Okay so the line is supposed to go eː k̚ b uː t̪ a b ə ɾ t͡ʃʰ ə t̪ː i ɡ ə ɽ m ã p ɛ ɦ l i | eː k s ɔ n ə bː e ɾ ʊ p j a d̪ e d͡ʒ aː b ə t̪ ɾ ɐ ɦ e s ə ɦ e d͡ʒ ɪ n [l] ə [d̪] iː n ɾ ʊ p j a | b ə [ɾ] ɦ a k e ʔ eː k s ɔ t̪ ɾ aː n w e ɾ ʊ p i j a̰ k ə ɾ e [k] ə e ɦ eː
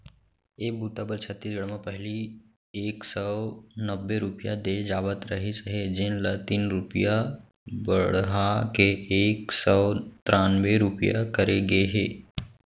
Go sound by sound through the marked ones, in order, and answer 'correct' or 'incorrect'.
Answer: correct, incorrect: t̪, incorrect: ɽ, incorrect: ɡ

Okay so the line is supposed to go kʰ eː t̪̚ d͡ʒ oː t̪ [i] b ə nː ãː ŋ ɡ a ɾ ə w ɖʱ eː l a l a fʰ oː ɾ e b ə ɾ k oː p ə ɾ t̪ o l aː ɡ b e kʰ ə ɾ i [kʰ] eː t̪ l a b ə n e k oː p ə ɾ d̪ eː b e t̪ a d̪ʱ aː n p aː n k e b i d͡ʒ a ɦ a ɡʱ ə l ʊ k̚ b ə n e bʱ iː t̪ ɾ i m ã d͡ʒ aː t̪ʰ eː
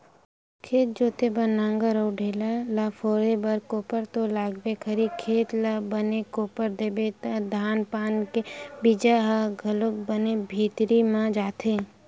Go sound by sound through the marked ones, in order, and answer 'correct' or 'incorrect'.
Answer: incorrect: e, correct

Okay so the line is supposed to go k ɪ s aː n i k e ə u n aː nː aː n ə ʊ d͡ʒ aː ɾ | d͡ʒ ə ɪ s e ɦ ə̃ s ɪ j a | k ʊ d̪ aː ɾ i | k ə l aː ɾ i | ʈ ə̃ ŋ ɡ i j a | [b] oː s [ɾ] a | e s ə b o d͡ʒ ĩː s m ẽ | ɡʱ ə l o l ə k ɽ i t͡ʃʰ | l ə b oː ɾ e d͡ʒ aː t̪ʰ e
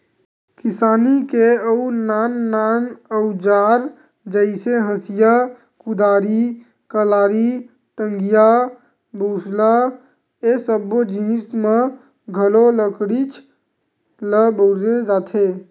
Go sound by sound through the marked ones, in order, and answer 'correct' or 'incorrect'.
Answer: correct, incorrect: l

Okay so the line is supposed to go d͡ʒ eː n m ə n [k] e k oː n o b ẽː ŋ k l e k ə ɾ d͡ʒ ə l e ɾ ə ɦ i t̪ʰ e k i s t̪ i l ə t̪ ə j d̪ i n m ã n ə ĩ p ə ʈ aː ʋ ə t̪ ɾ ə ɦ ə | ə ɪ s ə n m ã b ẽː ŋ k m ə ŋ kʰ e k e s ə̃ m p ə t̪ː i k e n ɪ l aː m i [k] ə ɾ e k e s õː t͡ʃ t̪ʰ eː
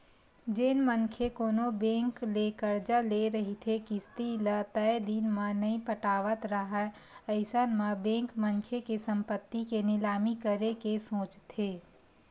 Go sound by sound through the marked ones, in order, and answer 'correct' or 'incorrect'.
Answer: incorrect: kʰ, correct

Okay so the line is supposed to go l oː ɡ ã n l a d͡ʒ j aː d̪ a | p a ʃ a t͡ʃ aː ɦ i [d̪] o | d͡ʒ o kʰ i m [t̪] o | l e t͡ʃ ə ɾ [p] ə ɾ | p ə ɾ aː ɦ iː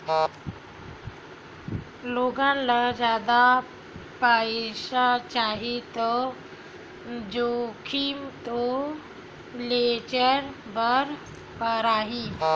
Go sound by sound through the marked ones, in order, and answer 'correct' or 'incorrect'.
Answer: incorrect: t̪, correct, incorrect: b

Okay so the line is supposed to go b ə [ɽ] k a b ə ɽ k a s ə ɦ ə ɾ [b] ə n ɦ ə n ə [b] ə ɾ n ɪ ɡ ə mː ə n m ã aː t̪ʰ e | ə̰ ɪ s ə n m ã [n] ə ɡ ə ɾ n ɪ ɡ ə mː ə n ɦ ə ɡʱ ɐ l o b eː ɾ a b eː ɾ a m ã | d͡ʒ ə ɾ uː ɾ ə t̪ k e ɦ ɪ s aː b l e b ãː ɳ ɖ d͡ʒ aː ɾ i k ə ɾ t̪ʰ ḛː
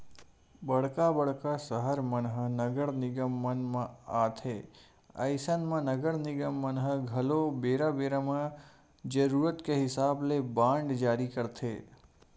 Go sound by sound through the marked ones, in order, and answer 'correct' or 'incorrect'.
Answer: correct, incorrect: m, incorrect: ɡ, correct

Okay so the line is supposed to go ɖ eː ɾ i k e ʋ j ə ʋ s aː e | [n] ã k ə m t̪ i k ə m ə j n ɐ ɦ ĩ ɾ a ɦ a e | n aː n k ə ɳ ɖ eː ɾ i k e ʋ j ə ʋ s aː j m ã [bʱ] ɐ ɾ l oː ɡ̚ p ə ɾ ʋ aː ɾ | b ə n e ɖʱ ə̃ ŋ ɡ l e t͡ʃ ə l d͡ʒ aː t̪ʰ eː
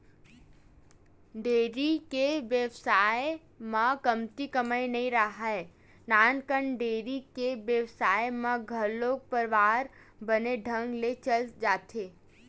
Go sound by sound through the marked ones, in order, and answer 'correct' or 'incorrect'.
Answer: incorrect: m, incorrect: ɡʱ

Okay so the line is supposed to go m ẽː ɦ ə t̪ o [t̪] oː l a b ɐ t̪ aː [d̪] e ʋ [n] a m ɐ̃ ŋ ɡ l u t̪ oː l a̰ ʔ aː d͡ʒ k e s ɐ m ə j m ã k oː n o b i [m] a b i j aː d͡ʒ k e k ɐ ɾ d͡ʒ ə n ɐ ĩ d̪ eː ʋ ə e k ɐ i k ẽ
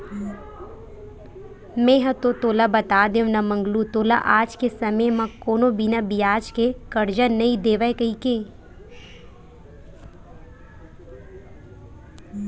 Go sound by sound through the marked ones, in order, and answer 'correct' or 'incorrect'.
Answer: correct, correct, correct, incorrect: n

